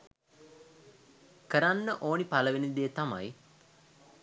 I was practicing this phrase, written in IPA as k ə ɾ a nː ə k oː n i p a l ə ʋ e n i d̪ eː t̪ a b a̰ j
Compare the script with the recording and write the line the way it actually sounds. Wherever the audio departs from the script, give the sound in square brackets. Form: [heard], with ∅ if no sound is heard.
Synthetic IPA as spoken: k ə ɾ a nː ə [ʔ] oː n i p a l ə ʋ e n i d̪ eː t̪ a [m] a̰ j